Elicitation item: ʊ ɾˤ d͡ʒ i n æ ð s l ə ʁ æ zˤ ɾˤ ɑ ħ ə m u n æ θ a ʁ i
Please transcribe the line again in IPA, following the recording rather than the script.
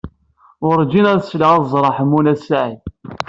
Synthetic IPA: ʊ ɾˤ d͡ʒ i n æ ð s l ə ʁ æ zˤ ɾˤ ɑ ħ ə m u n æ s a ʕ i